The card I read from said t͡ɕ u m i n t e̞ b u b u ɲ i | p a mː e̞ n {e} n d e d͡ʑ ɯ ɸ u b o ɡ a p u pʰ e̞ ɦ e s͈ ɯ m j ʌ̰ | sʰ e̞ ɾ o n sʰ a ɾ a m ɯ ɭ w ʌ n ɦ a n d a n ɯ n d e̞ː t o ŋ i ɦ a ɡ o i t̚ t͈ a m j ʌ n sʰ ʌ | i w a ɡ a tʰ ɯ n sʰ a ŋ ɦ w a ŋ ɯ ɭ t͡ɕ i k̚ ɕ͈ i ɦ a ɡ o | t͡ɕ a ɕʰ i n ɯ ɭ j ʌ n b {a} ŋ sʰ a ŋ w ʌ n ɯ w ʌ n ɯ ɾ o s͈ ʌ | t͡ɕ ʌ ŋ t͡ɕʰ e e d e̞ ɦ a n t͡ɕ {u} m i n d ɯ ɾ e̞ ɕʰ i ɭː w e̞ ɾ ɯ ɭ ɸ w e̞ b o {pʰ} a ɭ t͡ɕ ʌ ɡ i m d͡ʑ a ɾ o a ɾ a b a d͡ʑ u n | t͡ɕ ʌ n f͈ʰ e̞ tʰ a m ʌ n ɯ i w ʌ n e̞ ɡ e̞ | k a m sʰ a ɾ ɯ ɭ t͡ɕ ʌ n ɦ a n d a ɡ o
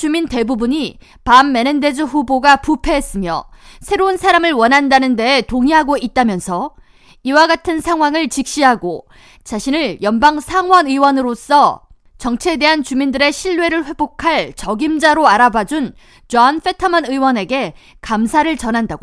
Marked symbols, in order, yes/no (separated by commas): yes, yes, yes, no